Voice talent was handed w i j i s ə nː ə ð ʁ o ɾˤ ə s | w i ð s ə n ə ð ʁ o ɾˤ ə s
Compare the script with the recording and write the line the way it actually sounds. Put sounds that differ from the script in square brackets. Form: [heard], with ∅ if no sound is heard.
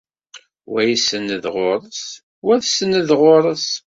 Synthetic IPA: w [æ] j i s ə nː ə ð ʁ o ɾˤ ə s | w [æ] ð s ə n ə ð ʁ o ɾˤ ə s